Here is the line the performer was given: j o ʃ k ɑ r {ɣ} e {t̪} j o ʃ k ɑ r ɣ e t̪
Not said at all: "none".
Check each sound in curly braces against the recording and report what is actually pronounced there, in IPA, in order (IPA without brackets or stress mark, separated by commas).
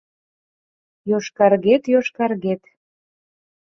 ɣ, t̪